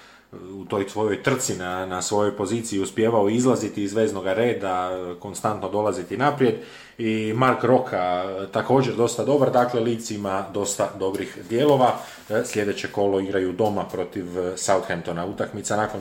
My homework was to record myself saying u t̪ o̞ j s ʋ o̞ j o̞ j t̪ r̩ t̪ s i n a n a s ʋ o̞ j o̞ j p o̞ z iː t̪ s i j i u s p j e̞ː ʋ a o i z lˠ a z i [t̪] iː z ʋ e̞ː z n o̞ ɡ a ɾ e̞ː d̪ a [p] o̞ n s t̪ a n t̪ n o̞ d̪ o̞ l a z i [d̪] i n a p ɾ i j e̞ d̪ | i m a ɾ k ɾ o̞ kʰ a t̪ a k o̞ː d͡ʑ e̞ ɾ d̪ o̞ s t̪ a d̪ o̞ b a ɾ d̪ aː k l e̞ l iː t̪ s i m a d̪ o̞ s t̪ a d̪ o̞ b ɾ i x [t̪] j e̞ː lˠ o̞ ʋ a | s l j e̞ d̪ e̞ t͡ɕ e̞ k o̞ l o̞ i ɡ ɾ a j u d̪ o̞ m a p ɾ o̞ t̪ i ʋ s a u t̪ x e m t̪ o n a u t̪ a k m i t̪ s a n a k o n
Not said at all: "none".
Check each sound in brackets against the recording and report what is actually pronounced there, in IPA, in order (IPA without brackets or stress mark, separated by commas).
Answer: t̪, k, t̪, d̪